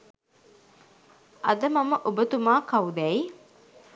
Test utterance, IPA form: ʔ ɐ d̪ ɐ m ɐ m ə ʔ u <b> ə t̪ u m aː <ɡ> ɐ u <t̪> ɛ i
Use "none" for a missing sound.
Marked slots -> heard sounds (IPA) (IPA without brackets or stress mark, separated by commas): b, k, d̪